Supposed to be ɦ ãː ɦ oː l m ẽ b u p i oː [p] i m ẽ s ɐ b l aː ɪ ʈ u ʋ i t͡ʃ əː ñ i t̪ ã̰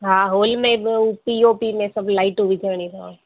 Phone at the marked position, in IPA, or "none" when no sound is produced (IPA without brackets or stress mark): p